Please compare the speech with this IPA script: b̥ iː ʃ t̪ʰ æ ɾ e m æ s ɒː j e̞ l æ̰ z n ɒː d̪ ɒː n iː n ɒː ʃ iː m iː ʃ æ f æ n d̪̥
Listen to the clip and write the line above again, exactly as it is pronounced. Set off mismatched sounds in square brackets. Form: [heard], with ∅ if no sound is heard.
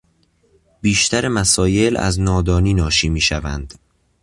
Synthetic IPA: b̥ iː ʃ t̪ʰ æ ɾ e m æ s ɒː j e̞ l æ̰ z n ɒː d̪ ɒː n iː n ɒː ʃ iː m iː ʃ æ [v] æ n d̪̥